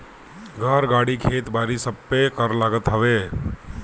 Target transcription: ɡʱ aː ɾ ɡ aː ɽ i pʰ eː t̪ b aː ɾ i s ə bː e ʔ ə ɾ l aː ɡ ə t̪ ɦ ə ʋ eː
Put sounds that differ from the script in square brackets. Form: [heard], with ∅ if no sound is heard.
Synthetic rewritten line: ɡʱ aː ɾ ɡ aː ɽ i [kʰ] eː t̪ b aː ɾ i s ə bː e [k] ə ɾ l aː ɡ ə t̪ ɦ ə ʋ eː

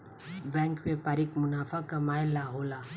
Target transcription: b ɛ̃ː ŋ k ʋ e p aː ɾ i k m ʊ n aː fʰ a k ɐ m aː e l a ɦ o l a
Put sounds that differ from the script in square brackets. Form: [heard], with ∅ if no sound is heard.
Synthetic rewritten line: b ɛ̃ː ŋ k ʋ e p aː ɾ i k m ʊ n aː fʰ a k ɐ m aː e l a ɦ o l a

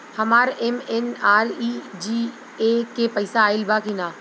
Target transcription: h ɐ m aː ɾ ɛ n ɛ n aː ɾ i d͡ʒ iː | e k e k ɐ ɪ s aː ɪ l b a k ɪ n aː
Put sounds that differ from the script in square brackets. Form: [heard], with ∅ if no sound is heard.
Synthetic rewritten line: h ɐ m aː ɾ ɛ [m] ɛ n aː ɾ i d͡ʒ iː | e k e [p] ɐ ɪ s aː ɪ l b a k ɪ n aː

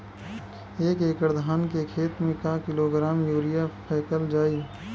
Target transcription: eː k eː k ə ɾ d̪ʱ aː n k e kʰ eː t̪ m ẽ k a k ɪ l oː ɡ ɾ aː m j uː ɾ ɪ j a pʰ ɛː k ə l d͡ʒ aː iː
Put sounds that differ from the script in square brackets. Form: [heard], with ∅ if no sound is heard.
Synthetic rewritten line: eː k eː k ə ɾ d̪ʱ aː n k e kʰ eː t̪ m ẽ k a k ɪ l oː ɡ ɾ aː m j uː ɾ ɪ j a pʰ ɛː k ə l d͡ʒ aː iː

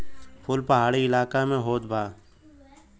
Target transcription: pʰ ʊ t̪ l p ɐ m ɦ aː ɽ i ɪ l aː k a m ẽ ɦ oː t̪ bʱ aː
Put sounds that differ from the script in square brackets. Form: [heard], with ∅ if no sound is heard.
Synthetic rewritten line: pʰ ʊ [∅] l p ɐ [∅] ɦ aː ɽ i ɪ l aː k a m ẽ ɦ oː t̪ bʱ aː

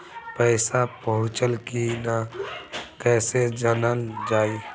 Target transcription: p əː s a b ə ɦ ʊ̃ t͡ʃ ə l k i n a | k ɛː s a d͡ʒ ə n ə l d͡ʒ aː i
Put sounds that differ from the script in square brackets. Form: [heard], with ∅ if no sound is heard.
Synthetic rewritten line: p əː s a [p] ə ɦ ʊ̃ t͡ʃ ə l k i n a | k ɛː s [e] d͡ʒ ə n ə l d͡ʒ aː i

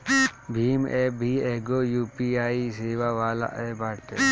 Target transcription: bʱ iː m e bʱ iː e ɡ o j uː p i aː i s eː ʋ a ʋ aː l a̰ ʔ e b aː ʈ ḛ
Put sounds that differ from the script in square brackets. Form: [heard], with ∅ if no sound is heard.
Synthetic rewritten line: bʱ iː m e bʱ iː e ɡ o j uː p i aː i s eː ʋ a ʋ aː l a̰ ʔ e b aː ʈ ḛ

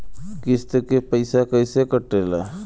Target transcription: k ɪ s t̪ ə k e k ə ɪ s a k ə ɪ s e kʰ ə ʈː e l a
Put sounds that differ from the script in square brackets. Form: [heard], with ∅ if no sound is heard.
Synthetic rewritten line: k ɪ s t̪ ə k e [p] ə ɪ s a k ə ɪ s e [k] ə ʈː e l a

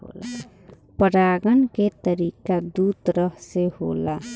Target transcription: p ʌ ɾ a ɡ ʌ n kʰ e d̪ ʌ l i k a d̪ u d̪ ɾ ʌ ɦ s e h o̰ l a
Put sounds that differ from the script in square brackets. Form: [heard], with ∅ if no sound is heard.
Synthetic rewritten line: p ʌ ɾ a ɡ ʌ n [k] e [t̪] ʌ [ɾ] i k a d̪ u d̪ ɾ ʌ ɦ s e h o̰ l a

